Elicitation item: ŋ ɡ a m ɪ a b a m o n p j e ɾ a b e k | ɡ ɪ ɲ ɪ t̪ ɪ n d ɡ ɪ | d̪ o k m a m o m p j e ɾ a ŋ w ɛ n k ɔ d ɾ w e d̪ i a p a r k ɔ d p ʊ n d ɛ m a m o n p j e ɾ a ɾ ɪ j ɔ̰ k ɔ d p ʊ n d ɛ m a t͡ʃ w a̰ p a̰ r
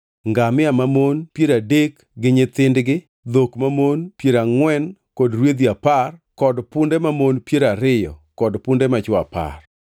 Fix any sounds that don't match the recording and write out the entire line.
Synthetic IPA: ŋ ɡ a m ɪ a m a m o n p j e ɾ a d e k | ɡ ɪ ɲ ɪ t̪ ɪ n d ɡ ɪ | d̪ o k m a m o n p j e ɾ a ŋ w ɛ n k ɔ d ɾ w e d̪ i a p a r k ɔ d p ʊ n d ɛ m a m o n p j e ɾ a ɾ ɪ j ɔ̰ k ɔ d p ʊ n d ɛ m a t͡ʃ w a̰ p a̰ r